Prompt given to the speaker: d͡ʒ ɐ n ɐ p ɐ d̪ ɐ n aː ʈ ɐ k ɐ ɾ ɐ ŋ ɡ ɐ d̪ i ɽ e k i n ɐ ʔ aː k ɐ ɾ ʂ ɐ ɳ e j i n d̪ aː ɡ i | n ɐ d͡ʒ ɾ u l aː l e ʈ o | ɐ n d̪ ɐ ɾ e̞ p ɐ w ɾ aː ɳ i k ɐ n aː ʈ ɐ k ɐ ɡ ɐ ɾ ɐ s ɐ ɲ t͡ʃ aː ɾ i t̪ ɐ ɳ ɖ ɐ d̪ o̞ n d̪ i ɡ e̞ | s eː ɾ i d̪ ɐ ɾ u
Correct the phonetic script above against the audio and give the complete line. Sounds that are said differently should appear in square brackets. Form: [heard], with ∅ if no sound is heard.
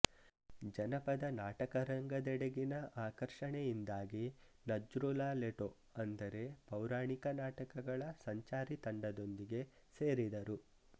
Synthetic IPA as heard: d͡ʒ ɐ n ɐ p ɐ d̪ ɐ n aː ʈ ɐ k ɐ ɾ ɐ ŋ ɡ ɐ d̪ [ɛ] ɽ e [ɡ] i n ɐ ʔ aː k ɐ ɾ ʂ ɐ ɳ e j i n d̪ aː ɡ i | n ɐ d͡ʒ ɾ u l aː l e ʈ o | ɐ n d̪ ɐ ɾ e̞ p ɐ w ɾ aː ɳ i k ɐ n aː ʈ ɐ k ɐ ɡ ɐ [ɭ] ɐ s ɐ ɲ t͡ʃ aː ɾ i t̪ ɐ ɳ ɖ ɐ d̪ o̞ n d̪ i ɡ e̞ | s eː ɾ i d̪ ɐ ɾ u